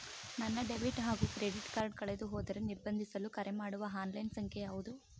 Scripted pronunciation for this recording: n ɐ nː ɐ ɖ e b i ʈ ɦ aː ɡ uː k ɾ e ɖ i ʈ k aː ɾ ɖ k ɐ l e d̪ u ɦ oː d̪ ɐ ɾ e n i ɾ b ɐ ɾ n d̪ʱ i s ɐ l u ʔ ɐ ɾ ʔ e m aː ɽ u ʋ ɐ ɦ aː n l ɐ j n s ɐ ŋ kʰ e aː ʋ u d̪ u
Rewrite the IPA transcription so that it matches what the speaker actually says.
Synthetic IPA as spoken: n ɐ nː ɐ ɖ e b i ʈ ɦ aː ɡ uː k ɾ e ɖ i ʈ k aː ɾ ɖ k ɐ ɭ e d̪ u ɦ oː d̪ ɐ ɾ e n i ɾ b ɐ n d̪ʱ i s ɐ l u k ɐ ɾ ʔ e m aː ɽ u ʋ ɐ ɦ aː n l ɐ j n s ɐ ŋ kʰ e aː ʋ u d̪ u